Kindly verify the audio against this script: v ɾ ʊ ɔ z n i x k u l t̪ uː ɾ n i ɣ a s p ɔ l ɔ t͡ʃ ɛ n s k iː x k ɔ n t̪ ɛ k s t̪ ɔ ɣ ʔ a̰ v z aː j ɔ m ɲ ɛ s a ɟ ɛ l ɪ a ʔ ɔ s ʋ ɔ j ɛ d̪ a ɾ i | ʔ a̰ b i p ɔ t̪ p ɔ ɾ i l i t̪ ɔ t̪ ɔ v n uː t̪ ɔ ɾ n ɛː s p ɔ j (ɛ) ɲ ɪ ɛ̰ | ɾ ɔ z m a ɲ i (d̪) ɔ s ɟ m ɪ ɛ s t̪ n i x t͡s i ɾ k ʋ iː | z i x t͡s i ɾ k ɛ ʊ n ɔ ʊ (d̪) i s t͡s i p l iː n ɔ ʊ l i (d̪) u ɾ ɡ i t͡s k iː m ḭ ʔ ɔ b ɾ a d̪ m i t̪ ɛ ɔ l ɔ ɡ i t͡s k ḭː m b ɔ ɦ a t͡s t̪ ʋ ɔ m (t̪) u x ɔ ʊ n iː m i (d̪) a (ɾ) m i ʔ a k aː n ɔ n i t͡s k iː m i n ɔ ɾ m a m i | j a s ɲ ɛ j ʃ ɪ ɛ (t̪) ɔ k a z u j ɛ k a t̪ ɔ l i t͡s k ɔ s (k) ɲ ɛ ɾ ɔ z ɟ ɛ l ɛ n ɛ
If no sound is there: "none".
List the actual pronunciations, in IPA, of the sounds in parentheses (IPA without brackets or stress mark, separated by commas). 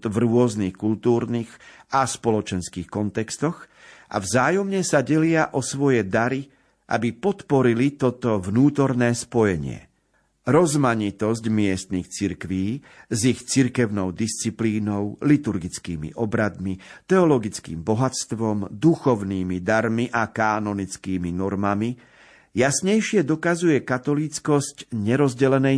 ɛ, t̪, d̪, t̪, d̪, d̪, ɾ, d̪, c